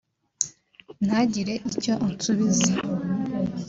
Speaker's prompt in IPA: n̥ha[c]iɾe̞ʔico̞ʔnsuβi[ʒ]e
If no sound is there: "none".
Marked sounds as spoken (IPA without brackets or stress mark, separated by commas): ɟ, z